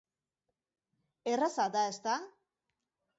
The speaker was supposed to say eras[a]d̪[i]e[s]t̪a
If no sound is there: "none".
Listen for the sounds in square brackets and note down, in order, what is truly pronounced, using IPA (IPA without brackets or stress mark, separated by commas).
a, a, s